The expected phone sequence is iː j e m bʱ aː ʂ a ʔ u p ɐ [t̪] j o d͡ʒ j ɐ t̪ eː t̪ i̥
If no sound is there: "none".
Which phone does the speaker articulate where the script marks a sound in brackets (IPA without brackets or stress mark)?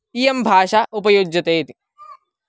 none